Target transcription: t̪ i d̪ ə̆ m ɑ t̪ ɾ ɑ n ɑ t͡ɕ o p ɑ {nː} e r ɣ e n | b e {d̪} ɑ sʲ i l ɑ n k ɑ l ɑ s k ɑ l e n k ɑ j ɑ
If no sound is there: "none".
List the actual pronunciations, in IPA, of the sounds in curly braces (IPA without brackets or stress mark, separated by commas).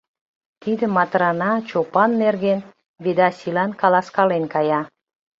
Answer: nː, d̪